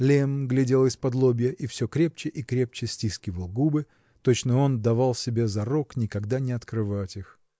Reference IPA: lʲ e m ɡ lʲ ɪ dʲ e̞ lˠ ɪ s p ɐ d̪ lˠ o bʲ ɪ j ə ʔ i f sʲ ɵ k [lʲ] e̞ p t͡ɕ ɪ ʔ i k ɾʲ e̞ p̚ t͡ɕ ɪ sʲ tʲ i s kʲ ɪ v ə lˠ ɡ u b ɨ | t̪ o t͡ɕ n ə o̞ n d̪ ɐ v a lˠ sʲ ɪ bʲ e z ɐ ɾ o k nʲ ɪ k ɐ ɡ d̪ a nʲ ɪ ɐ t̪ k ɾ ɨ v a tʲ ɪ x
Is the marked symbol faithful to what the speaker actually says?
no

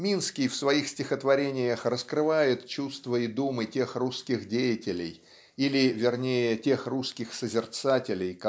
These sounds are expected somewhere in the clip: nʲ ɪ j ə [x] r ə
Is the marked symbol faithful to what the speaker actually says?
yes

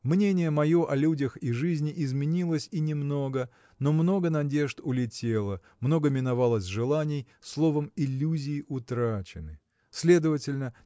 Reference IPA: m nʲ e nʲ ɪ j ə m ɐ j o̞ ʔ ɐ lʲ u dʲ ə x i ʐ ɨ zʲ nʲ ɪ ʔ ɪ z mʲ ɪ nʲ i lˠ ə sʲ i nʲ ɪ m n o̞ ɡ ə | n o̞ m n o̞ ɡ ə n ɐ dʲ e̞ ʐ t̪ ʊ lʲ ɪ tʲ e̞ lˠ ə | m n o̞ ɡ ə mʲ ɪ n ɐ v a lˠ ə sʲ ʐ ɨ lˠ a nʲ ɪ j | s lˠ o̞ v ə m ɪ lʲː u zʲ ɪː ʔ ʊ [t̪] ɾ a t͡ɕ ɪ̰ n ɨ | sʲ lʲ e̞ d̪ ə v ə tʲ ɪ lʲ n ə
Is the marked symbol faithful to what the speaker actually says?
yes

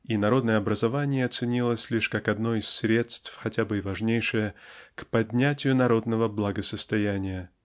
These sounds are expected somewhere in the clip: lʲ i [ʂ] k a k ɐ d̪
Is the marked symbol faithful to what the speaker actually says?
yes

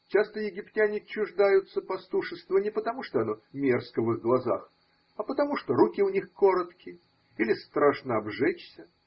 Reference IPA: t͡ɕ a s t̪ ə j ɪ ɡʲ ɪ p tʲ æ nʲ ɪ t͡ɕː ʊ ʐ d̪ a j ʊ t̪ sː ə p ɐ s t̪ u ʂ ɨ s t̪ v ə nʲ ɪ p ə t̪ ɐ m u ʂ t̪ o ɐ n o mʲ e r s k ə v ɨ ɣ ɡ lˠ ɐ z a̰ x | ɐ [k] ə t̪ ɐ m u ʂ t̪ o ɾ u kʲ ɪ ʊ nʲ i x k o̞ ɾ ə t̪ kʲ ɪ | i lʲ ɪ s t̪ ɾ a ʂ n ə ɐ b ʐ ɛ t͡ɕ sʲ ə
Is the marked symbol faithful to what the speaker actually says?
no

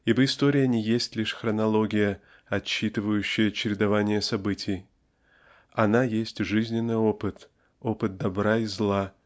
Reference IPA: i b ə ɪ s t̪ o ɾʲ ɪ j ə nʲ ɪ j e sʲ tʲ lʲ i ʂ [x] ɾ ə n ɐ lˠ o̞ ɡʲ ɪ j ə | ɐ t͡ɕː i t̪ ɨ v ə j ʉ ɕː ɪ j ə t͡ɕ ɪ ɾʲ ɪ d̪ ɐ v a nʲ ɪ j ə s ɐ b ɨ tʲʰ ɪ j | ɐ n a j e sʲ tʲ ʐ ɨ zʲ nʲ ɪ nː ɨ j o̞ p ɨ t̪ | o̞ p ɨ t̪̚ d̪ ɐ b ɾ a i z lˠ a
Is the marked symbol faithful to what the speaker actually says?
yes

